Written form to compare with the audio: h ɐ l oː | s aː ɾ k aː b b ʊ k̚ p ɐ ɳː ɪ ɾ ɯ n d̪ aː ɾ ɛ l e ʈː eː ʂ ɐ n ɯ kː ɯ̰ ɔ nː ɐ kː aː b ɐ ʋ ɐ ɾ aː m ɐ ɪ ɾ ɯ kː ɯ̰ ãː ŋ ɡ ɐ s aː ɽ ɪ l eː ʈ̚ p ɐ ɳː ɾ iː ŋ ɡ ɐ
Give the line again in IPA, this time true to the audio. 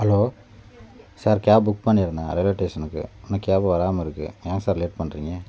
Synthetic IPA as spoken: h ɐ l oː | s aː ɾ k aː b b ʊ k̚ p ɐ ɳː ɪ ɾ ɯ n d̪ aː ɾ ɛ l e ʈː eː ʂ ɐ n ɯ kː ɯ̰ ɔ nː ɐ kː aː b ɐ ʋ ɐ ɾ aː m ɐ ɪ ɾ ɯ kː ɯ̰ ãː ŋ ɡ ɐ s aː ɾ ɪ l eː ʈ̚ p ɐ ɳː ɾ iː ŋ ɡ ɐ